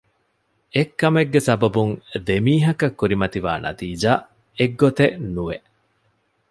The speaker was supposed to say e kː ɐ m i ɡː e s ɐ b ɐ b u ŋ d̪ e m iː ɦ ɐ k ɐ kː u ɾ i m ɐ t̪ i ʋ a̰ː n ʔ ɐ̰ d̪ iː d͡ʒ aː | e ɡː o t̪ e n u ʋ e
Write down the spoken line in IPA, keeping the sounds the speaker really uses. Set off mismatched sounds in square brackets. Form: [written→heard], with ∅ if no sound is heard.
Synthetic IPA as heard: e kː ɐ m [i→e] ɡː e s ɐ b ɐ b u ŋ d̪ e m iː ɦ ɐ k ɐ kː u ɾ i m ɐ t̪ i ʋ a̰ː n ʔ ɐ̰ [d̪→t̪] iː d͡ʒ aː | e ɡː o t̪ e n u ʋ e

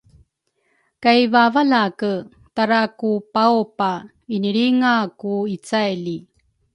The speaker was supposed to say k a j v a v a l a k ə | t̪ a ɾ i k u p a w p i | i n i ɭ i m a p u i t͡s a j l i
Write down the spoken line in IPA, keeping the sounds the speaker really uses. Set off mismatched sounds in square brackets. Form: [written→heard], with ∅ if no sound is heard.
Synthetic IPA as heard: k a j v a v a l a k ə | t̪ a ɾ [i→a] k u p a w p [i→a] | i n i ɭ i [m→ŋ] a [p→k] u i t͡s a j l i

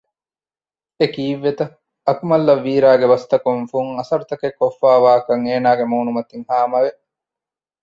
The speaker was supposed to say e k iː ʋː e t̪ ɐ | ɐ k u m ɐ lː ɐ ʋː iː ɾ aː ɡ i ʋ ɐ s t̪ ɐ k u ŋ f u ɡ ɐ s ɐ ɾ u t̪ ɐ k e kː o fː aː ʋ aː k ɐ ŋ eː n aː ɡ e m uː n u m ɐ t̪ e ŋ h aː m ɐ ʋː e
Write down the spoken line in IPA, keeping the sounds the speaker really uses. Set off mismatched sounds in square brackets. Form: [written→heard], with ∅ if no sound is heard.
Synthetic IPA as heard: e k iː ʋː e t̪ ɐ | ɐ k u m ɐ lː ɐ ʋː iː ɾ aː ɡ [i→e] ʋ ɐ s t̪ ɐ k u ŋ f u [ɡ→ŋ] ɐ s ɐ ɾ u t̪ ɐ k e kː o fː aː ʋ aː k ɐ ŋ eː n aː ɡ e m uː n u m ɐ t̪ [e→i] ŋ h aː m ɐ [ʋː→ʋ] e

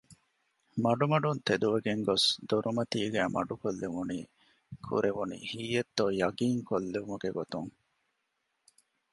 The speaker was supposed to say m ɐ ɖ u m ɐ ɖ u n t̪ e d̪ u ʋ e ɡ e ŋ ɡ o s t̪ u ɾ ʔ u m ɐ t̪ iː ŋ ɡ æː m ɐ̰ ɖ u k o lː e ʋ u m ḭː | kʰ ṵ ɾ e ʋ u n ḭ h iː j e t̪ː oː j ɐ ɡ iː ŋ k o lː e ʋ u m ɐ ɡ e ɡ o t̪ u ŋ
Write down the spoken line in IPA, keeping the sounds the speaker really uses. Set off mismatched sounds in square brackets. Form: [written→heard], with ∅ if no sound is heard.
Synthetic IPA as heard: m ɐ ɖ u m ɐ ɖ u n t̪ e d̪ u ʋ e ɡ e ŋ ɡ o s [t̪→d̪] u ɾ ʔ u m ɐ t̪ iː [ŋ→∅] ɡ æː m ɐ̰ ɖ u k o lː e ʋ u [m→n] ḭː | kʰ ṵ ɾ e ʋ u n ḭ h iː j e t̪ː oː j ɐ ɡ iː ŋ k o lː e ʋ u m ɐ ɡ e ɡ o t̪ u ŋ

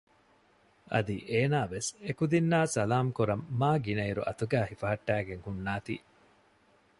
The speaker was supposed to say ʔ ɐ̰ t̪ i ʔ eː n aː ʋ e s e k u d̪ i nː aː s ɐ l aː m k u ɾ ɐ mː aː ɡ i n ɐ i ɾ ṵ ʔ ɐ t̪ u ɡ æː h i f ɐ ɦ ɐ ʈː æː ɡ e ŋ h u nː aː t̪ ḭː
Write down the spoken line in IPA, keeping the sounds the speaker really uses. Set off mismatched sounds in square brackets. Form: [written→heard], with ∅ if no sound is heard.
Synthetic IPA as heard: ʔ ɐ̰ [t̪→d̪] i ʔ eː n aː ʋ e s e k u d̪ i nː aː s ɐ l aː m k u ɾ ɐ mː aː ɡ i n ɐ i ɾ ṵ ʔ ɐ t̪ u ɡ æː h i f ɐ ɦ ɐ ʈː æː ɡ e ŋ h u nː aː t̪ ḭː

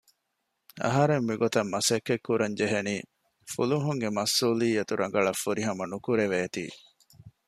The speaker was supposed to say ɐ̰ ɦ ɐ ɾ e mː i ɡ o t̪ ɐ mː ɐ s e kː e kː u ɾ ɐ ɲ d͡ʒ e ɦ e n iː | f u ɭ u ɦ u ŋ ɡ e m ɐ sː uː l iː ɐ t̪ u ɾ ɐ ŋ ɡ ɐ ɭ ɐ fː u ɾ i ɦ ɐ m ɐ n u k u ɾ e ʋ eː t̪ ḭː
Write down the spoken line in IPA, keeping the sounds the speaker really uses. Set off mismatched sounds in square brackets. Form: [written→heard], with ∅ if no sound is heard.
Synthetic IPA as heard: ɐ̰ ɦ ɐ ɾ e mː i ɡ o t̪ ɐ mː ɐ s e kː e kː u ɾ ɐ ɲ d͡ʒ e ɦ e n iː | f u [ɭ→l] u ɦ u ŋ ɡ e m ɐ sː uː l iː ɐ t̪ u ɾ ɐ ŋ ɡ ɐ ɭ ɐ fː u ɾ i ɦ ɐ m ɐ n u k u ɾ e ʋ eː t̪ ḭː

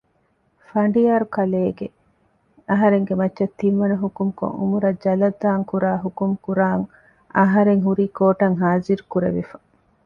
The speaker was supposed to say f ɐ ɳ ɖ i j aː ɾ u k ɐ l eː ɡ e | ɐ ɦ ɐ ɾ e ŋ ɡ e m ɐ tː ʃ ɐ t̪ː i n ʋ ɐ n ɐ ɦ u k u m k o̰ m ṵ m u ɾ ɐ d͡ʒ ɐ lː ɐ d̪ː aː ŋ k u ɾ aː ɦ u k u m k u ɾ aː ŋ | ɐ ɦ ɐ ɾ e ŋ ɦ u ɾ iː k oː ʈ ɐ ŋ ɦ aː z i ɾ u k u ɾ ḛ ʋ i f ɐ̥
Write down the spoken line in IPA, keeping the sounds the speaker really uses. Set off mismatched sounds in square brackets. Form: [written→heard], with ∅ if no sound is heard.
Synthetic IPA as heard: f ɐ ɳ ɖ i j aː ɾ u k ɐ l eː ɡ e | ɐ ɦ ɐ ɾ e ŋ ɡ e m ɐ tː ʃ ɐ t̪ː i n ʋ ɐ n ɐ ɦ u k u m k o̰ [m→ŋ] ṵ m u ɾ ɐ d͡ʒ ɐ [lː→l] ɐ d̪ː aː ŋ k u ɾ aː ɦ u k u m k u ɾ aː ŋ | ɐ ɦ ɐ ɾ e ŋ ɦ u ɾ iː k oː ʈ ɐ ŋ ɦ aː z i ɾ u k u ɾ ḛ ʋ i f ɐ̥

